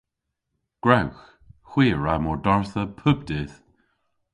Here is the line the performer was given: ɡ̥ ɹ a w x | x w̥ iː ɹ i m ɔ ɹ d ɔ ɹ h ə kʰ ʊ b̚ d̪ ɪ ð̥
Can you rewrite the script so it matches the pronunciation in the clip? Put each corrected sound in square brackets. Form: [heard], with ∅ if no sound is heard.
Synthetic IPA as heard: ɡ̥ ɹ a w x | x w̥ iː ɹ [a] m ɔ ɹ d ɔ ɹ [θ] ə [pʰ] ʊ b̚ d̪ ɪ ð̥